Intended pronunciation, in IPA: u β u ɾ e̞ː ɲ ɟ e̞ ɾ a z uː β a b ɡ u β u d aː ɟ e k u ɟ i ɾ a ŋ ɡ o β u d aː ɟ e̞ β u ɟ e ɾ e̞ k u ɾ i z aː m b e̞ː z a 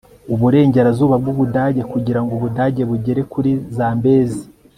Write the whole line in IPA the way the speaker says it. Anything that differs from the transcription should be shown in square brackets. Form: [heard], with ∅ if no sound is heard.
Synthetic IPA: u β u ɾ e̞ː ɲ ɟ e̞ ɾ a z uː β a b ɡ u β u d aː ɟ e k u ɟ i ɾ a ŋ ɡ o β u d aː ɟ e̞ β u ɟ e ɾ e̞ k u ɾ i z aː m b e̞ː z [i]